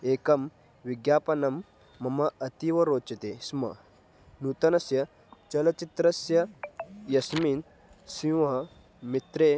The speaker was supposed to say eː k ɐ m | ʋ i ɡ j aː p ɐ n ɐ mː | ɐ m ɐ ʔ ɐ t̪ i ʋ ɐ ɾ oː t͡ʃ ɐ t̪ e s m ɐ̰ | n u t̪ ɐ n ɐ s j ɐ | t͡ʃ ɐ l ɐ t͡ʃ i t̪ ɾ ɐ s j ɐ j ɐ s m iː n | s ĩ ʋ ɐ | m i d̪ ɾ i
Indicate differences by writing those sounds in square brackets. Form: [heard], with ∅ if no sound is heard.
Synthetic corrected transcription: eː k ɐ m | ʋ i ɡ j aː p ɐ n ɐ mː | ɐ m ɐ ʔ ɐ t̪ i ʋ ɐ ɾ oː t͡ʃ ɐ t̪ e s m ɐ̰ | n u t̪ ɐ n ɐ s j ɐ | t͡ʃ ɐ l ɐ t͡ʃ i t̪ ɾ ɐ s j ɐ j ɐ s m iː n | s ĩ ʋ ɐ | m i [t̪] ɾ [e]